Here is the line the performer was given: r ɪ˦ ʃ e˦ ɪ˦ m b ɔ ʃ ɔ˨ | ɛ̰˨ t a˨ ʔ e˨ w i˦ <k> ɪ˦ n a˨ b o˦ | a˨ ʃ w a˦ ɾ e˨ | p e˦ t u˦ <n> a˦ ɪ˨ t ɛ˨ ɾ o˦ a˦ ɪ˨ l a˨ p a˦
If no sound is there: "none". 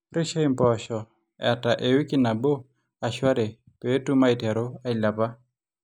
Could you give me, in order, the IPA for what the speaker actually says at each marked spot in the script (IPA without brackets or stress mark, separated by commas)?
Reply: k, m